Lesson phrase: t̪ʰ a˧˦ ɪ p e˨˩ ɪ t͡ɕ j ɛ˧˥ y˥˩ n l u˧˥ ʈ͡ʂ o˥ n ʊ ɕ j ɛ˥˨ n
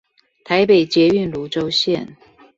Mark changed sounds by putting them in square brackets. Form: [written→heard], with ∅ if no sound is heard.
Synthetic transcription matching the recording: t̪ʰ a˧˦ ɪ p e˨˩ ɪ t͡ɕ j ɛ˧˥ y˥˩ n l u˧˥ ʈ͡ʂ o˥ [n→∅] ʊ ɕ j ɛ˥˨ n